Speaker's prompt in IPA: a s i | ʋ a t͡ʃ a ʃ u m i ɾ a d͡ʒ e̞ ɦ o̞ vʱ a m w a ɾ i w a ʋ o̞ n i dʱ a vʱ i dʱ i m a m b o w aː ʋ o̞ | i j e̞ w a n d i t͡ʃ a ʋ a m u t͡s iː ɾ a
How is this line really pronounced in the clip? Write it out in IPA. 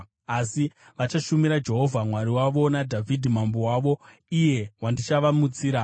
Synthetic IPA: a s i | ʋ a t͡ʃ a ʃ u m i ɾ a d͡ʒ e̞ ɦ o̞ vʱ a m w a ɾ i w a ʋ o̞ n a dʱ a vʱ i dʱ i m a m b o w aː ʋ o̞ | i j e̞ w a n d i t͡ʃ a ʋ a m u t͡s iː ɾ a